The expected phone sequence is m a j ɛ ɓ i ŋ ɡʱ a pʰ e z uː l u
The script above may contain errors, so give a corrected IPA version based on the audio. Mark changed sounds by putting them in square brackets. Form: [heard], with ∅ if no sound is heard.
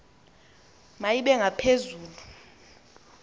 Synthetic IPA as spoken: m a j [i] ɓ [ɛ] ŋ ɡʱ a pʰ e z uː l u